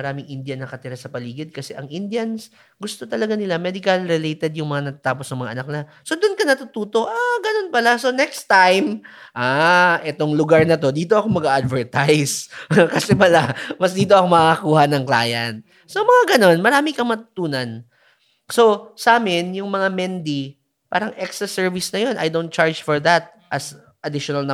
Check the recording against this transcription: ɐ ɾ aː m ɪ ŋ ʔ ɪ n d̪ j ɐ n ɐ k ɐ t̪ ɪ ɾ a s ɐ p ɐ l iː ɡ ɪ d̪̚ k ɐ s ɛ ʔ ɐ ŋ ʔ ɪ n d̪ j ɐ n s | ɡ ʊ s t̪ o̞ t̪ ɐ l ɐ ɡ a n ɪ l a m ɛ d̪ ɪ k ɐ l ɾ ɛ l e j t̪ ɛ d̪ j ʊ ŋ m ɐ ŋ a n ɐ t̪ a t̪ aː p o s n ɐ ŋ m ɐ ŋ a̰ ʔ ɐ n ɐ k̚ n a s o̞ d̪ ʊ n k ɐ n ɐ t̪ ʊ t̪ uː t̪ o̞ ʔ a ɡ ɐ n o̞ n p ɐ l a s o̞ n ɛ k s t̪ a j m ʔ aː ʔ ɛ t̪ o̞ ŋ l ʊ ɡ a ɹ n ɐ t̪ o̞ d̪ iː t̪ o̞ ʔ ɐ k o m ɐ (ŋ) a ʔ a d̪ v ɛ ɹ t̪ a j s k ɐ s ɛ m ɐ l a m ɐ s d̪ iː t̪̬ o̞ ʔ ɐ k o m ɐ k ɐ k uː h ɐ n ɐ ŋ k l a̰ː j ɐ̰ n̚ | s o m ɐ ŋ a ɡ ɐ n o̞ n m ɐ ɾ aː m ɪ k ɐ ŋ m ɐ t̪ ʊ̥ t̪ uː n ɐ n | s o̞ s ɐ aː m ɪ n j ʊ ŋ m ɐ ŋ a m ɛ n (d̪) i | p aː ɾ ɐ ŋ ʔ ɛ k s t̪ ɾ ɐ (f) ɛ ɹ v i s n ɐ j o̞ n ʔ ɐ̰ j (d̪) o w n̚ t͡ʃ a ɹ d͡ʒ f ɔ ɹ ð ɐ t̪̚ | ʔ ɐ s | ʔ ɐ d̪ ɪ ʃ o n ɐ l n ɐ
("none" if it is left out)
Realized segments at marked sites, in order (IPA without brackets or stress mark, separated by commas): ɡ, d̪, s, d̪